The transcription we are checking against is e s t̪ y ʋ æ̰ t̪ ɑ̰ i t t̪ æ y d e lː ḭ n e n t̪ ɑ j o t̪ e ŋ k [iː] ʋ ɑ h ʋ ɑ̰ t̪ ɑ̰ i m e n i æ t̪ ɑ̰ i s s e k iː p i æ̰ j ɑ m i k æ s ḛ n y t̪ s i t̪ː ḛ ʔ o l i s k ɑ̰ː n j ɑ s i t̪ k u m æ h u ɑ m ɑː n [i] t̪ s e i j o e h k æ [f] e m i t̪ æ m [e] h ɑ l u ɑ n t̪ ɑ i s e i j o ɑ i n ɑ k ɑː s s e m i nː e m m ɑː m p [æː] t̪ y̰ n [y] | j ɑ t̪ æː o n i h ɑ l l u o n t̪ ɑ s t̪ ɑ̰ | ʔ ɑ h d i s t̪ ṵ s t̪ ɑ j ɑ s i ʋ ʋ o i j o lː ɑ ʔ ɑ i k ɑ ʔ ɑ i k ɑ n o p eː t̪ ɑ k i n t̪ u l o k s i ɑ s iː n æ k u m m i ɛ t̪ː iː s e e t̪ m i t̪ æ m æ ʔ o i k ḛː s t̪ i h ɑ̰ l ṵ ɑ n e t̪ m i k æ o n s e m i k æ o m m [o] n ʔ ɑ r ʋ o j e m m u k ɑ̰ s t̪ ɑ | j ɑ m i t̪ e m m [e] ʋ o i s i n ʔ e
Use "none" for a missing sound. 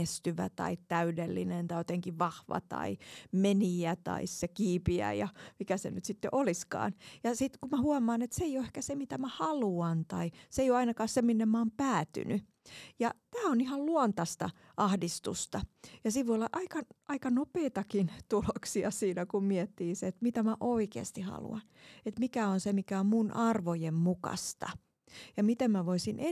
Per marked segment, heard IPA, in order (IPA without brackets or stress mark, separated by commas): i, e, s, æ, æː, y, u, æ